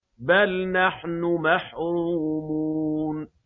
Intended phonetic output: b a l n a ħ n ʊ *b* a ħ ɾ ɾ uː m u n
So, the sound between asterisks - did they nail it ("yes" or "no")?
no